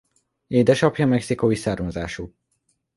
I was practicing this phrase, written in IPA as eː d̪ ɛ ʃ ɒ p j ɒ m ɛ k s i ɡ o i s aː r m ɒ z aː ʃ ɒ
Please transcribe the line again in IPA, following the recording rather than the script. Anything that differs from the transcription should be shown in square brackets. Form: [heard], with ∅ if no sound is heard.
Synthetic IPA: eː d̪ ɛ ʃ ɒ p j ɒ m ɛ k s i [k] o i s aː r m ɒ z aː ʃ [u]